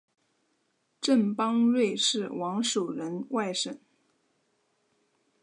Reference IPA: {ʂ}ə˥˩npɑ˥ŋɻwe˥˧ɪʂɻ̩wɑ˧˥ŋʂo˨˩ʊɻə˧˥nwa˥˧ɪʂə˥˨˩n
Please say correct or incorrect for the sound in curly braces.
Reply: incorrect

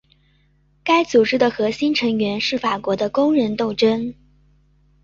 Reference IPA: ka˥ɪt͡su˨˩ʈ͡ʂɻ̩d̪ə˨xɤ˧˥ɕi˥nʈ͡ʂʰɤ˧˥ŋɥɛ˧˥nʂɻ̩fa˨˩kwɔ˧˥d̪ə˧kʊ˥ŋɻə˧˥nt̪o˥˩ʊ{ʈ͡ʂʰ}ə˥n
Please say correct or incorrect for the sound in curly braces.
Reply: incorrect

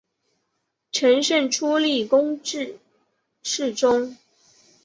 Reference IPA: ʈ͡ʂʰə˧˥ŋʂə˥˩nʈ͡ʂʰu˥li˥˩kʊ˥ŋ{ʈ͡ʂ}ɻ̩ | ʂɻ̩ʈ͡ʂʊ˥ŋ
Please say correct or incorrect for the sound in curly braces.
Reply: correct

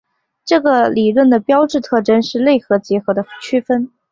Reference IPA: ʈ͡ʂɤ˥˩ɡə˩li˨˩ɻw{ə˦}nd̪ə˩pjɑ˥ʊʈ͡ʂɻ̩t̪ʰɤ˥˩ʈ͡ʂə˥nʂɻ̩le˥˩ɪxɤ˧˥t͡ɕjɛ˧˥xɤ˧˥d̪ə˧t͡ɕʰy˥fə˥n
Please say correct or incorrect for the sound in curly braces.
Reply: incorrect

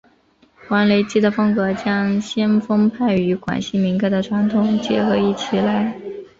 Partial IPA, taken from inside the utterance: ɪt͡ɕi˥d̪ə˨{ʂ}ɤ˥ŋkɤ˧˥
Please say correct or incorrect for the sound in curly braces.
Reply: incorrect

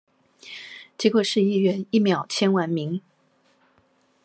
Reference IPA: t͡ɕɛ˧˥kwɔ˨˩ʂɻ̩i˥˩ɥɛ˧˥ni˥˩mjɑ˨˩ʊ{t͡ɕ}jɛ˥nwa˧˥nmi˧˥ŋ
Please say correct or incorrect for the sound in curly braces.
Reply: incorrect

